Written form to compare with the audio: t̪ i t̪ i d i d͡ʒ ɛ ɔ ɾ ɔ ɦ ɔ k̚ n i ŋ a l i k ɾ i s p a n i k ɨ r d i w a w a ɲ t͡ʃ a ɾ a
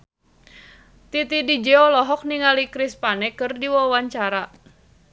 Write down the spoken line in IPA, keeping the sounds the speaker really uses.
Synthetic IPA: t̪ i t̪ i d i d͡ʒ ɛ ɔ l ɔ ɦ ɔ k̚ n i ŋ a l i k ɾ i s p a n ɛ k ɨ r d i w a w a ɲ t͡ʃ a ɾ a